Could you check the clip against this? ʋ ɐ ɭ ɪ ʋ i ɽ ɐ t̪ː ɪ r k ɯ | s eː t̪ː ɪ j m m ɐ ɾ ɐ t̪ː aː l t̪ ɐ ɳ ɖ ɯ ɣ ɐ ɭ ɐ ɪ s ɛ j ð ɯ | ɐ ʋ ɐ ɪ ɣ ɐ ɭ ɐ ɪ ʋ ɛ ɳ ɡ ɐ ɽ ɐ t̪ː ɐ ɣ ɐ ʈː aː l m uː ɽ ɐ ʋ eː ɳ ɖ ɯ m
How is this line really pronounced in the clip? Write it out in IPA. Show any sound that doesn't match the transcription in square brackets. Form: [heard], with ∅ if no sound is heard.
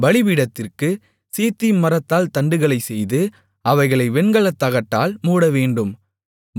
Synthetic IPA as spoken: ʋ ɐ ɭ ɪ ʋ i ɽ ɐ t̪ː ɪ r k ɯ | s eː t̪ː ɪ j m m ɐ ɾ ɐ t̪ː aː l t̪ ɐ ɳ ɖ ɯ ɣ ɐ ɭ ɐ ɪ s ɛ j ð ɯ | ɐ ʋ ɐ ɪ ɣ ɐ ɭ ɐ ɪ ʋ ɛ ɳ ɡ ɐ [ɭ] ɐ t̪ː ɐ ɣ ɐ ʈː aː l m uː ɽ ɐ ʋ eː ɳ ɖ ɯ m